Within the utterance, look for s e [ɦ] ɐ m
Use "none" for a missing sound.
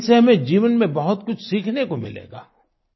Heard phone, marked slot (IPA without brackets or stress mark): ɦ